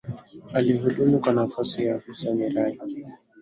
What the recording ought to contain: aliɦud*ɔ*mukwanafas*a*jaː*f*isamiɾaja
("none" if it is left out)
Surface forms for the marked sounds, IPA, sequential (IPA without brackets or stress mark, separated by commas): u, i, f